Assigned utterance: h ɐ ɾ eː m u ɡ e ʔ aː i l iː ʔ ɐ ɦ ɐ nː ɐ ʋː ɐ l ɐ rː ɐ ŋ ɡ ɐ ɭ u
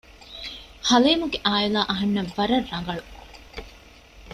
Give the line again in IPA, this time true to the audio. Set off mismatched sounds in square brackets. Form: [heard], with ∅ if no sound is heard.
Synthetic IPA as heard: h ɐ [l] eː m u ɡ e ʔ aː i l [aː] ʔ ɐ ɦ ɐ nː ɐ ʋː ɐ [ɾ] ɐ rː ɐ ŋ ɡ ɐ ɭ u